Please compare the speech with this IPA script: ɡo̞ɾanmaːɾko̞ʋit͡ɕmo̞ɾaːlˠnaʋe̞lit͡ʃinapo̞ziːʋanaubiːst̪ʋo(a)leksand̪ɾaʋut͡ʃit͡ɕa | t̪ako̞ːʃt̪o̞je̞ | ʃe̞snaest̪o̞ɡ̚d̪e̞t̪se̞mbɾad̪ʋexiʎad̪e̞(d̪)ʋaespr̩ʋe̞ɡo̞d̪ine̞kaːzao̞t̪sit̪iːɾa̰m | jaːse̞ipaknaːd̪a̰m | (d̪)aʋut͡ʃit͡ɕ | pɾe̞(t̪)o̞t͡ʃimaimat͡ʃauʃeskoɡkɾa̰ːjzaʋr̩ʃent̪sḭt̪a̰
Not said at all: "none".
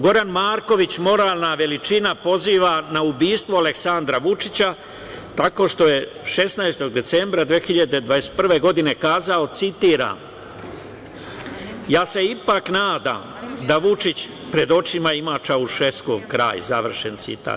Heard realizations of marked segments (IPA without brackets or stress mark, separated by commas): a, d̪, d̪, d̪